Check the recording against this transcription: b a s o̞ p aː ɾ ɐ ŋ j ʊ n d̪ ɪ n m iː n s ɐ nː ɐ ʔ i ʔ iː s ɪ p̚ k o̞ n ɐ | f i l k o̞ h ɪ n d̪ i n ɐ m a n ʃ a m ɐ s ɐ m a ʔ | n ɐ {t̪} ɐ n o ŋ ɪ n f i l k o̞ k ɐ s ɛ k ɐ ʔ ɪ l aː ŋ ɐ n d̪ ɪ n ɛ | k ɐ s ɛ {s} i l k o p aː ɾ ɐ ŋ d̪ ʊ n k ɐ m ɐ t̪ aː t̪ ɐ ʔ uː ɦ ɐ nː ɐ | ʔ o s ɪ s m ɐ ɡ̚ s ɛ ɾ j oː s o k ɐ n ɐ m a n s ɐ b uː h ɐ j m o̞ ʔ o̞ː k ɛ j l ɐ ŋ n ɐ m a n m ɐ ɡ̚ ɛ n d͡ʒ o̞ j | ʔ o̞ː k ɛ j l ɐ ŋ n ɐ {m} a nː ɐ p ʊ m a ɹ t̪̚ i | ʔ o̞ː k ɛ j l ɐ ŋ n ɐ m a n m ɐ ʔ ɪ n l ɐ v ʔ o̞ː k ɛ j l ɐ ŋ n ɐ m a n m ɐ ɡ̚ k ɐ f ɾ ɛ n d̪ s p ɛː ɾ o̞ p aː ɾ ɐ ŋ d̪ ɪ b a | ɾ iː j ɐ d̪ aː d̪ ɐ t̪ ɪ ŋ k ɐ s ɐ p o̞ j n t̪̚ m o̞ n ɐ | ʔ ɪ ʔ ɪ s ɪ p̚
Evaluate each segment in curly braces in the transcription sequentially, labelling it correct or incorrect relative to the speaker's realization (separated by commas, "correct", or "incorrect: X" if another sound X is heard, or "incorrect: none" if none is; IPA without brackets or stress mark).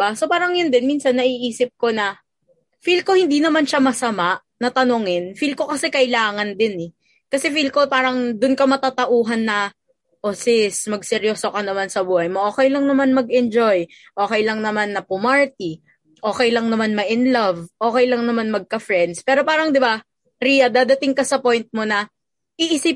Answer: correct, incorrect: f, correct